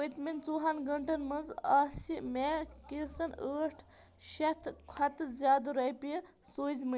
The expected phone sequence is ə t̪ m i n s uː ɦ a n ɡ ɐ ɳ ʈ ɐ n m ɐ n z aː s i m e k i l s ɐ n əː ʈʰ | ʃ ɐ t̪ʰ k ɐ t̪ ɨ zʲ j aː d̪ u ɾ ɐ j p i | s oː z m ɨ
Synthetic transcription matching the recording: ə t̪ m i n t͡s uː ɦ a n ɡ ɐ ɳ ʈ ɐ n m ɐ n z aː s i m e k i l s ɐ n əː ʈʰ | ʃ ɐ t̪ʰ kʰ ɐ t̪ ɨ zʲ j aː d̪ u ɾ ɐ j p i | s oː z m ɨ

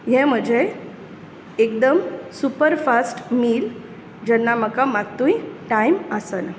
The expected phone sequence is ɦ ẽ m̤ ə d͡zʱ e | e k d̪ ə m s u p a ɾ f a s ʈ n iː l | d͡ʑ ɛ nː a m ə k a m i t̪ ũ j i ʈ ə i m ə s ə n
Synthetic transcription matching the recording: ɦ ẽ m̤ ə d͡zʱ e | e k d̪ ə m s u p ə ɾ f a s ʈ m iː l | d͡ʑ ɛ nː a m ə k a m a t̪ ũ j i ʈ a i m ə s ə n

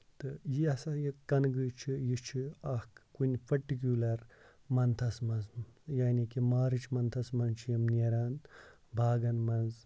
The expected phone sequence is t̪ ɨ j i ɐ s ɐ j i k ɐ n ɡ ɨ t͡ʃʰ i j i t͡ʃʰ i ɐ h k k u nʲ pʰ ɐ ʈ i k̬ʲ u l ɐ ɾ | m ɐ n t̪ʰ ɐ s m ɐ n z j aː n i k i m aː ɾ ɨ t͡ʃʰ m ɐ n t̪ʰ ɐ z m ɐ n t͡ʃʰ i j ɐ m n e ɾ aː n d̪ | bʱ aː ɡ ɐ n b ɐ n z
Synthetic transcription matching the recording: t̪ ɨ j i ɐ s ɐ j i k ɐ n ɡ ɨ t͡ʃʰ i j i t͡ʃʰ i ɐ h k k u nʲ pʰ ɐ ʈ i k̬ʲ u l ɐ ɾ | m ɐ n t̪ʰ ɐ s m ɐ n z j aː n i k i m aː ɾ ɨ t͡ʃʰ m ɐ n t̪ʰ ɐ s m ɐ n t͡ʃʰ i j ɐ m n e ɾ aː n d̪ | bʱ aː ɡ ɐ n m ɐ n z

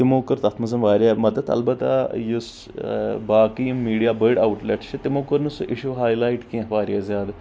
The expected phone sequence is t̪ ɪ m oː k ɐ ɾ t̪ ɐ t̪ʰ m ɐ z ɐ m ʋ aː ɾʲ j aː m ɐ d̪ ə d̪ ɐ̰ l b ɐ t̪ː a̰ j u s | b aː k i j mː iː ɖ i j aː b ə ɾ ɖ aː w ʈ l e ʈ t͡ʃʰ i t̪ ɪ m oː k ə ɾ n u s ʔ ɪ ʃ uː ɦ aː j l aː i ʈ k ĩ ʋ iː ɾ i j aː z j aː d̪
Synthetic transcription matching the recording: t̪ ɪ m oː k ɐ ɾ t̪ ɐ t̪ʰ m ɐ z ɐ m ʋ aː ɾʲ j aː m ɐ d̪ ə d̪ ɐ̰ l b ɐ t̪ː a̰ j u s | b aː k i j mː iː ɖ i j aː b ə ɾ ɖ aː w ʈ l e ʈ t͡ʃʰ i t̪ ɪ m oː k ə ɾ n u s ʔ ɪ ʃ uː ɦ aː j l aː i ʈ k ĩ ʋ aː ɾ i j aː z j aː d̪

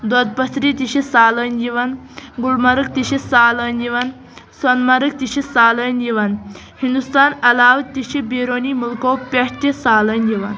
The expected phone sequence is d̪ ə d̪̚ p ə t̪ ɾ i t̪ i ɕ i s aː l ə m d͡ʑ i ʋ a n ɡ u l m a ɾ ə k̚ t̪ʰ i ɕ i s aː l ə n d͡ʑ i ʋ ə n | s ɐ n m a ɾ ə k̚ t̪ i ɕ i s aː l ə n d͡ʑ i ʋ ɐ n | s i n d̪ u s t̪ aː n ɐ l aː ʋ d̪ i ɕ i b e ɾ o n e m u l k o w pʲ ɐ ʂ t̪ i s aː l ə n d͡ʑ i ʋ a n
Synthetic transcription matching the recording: d̪ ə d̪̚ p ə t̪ ɾ i t̪ i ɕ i s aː l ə n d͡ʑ i ʋ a n ɡ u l m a ɾ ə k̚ t̪ i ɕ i s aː l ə n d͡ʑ i ʋ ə n | s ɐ n m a ɾ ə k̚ t̪ i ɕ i s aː l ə n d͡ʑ i ʋ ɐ n | h i n d̪ u s t̪ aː n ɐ l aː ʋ t̪ i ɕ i b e ɾ o n i m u l k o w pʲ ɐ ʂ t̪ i s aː l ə n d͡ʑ i ʋ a n

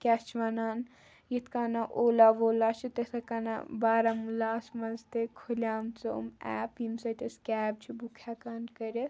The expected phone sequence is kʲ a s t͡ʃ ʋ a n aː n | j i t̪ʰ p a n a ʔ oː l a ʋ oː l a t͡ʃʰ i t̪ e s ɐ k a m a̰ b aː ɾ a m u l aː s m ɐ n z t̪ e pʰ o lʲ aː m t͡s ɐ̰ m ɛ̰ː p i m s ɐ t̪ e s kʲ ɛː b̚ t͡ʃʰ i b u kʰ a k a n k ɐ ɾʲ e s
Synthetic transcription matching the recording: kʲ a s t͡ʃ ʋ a n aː n | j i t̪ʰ k a n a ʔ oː l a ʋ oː l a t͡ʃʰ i t̪ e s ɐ k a n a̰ b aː ɾ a m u l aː s m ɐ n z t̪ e kʰ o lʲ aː m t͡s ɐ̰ m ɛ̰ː p i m s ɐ t̪ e s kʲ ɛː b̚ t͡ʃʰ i b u kʰ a k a n k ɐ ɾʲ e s

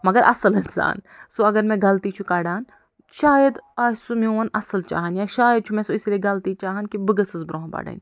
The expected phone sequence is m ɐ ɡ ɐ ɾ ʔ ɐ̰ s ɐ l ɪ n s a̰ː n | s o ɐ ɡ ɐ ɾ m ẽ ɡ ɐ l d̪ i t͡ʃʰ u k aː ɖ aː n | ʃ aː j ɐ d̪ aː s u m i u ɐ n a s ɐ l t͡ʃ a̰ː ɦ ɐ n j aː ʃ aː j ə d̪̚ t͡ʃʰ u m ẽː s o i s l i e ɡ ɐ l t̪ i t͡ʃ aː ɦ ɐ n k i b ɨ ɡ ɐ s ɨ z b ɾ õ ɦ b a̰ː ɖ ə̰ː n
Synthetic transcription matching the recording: m ɐ ɡ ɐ ɾ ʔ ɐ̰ s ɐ l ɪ n s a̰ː n | s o ɐ ɡ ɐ ɾ m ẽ ɡ ɐ l t̪ i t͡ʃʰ u k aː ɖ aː n | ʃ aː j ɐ d̪ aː s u m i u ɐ n ɐ s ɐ l t͡ʃ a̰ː ɦ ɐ n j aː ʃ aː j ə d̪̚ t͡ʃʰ u m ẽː s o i s l i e ɡ ɐ l t̪ i t͡ʃ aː ɦ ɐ n k i b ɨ ɡ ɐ s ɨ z b ɾ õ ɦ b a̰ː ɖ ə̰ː n

